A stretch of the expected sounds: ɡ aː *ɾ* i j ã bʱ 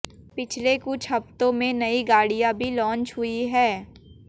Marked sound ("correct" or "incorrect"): incorrect